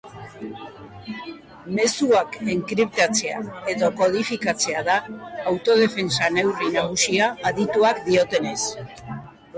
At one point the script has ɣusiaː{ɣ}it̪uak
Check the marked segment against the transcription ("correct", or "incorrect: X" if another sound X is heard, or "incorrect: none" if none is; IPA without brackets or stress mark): incorrect: ð